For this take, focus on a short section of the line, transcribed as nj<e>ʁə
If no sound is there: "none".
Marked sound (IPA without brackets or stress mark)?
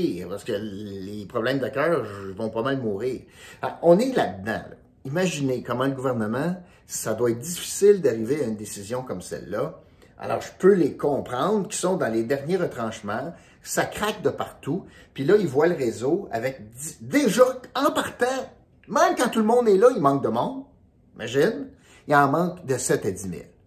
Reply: e